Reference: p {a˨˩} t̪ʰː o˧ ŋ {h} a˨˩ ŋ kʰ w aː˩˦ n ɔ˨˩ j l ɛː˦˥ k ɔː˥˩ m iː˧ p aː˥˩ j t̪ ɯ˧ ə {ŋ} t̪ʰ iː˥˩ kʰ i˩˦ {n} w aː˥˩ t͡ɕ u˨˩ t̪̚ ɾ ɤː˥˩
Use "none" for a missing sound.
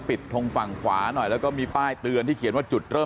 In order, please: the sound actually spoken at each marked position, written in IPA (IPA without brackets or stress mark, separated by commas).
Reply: i˨˩, f, n, n